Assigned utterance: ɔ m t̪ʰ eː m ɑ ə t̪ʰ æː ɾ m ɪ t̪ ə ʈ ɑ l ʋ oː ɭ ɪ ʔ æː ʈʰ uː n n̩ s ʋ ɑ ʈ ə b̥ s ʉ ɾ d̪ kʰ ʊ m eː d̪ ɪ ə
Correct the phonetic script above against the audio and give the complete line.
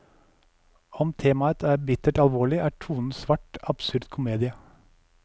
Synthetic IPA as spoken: ɔ m t̪ʰ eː m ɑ ə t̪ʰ æː ɾ b ɪ t̪ ə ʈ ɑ l ʋ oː ɭ ɪ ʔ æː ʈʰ uː n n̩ s ʋ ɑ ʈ ɑ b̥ s ʉ ɾ d̪ kʰ ʊ m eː d̪ ɪ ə